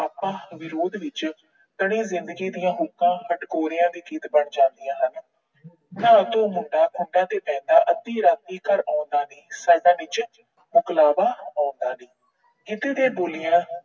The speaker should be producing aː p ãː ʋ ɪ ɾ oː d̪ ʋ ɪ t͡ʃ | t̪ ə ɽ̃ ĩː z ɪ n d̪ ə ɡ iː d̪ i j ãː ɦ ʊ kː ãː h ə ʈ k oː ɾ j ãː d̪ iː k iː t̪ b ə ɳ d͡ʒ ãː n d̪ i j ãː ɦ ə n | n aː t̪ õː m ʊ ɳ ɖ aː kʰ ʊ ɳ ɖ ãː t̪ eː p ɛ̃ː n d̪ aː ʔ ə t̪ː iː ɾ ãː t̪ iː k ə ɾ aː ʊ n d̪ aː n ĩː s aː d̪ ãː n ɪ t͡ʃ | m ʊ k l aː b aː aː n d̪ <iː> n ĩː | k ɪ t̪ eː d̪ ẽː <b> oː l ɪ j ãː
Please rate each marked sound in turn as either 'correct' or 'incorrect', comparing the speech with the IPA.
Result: incorrect, correct

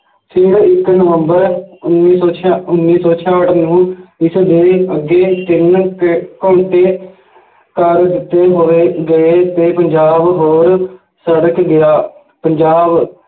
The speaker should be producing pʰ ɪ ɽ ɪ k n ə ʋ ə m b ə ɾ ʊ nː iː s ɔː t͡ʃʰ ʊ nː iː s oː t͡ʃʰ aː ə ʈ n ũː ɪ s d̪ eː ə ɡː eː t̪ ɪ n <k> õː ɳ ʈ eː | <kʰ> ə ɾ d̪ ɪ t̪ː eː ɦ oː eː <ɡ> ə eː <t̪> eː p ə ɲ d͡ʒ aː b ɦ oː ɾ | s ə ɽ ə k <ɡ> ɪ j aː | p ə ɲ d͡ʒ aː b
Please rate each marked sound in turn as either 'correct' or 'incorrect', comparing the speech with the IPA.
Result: correct, incorrect, correct, correct, correct

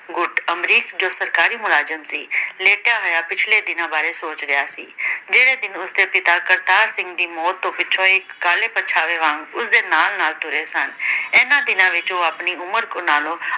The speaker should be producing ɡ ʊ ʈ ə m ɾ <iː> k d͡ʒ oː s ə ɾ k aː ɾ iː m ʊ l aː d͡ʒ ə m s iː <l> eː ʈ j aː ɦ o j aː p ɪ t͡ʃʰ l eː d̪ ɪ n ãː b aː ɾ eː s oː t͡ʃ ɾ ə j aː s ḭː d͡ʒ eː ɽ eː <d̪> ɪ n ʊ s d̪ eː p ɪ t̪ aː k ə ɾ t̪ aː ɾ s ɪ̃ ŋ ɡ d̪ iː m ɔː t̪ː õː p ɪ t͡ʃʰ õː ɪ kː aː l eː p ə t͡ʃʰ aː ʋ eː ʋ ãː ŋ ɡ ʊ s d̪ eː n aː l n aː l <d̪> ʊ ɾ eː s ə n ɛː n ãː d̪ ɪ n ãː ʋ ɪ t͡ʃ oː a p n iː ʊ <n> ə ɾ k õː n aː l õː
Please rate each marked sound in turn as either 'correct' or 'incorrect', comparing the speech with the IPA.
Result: correct, correct, correct, incorrect, incorrect

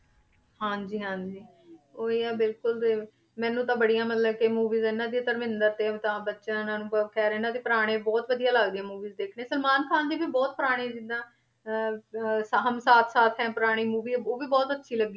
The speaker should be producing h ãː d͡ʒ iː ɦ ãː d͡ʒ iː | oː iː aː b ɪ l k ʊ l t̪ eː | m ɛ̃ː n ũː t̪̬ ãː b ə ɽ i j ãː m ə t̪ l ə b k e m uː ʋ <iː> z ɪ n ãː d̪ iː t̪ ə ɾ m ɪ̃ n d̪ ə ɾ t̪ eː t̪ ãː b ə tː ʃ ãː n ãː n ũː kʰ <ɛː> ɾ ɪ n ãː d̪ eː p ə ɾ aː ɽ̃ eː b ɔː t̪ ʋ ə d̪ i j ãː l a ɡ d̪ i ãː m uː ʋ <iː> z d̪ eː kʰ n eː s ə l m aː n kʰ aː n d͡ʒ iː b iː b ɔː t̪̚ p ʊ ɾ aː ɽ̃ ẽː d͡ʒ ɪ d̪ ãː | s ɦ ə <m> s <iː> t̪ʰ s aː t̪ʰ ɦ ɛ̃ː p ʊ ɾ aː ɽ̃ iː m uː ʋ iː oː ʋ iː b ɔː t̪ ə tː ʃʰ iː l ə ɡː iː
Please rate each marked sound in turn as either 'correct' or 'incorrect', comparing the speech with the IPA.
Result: correct, correct, correct, correct, incorrect

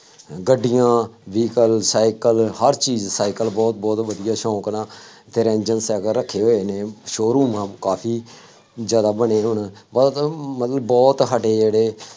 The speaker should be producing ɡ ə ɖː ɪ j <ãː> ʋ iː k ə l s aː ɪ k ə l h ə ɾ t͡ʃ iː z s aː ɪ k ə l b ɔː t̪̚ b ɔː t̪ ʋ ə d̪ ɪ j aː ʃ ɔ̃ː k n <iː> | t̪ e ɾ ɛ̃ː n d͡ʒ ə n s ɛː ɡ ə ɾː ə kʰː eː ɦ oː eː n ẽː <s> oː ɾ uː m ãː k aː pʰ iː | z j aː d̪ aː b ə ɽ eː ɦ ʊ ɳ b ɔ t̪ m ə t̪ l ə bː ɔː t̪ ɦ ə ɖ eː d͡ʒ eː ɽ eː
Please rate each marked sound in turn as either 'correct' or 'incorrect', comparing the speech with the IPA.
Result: correct, incorrect, incorrect

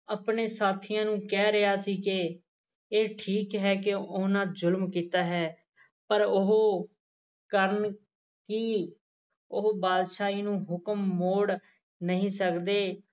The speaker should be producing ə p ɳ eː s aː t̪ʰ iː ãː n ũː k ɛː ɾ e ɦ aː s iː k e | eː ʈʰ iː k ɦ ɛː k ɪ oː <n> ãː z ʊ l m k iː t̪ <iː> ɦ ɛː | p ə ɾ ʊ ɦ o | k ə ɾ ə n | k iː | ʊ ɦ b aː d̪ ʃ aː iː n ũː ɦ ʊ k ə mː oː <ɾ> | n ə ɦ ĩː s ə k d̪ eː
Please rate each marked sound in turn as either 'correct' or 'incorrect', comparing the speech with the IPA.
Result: correct, incorrect, incorrect

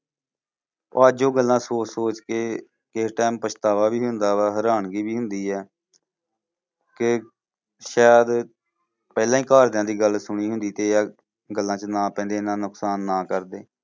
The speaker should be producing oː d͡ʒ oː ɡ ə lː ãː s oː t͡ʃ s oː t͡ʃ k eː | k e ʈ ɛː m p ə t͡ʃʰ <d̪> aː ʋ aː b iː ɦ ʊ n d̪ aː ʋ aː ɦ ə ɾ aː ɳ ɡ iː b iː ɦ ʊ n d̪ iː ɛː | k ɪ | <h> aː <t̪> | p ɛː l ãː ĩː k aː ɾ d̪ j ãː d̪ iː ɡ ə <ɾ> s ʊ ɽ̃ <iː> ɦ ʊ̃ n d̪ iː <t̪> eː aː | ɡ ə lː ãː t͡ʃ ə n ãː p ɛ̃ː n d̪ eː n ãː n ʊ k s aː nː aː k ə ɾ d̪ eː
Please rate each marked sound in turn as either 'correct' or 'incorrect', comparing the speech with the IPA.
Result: incorrect, incorrect, incorrect, incorrect, correct, correct

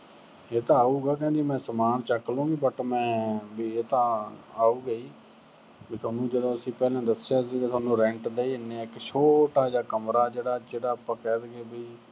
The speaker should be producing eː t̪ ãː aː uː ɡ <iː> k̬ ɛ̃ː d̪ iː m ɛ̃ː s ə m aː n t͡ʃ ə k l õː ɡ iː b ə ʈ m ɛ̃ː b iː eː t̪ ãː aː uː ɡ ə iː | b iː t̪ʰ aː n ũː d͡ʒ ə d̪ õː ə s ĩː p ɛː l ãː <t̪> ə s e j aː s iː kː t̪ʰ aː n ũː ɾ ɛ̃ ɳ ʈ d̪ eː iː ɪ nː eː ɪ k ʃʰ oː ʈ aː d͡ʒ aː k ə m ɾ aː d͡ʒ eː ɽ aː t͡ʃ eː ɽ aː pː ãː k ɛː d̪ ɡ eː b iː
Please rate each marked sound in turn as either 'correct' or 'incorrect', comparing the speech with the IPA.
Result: incorrect, incorrect

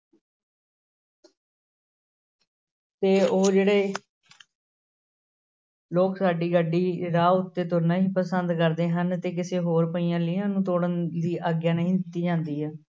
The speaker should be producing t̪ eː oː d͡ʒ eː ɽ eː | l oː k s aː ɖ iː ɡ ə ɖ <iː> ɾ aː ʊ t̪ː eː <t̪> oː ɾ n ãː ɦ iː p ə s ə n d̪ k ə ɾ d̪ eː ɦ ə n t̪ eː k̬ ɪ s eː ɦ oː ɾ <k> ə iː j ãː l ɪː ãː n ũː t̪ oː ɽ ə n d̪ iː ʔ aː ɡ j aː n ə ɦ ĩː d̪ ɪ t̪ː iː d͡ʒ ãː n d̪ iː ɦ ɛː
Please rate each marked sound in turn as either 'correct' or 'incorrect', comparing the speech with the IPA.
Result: correct, correct, incorrect

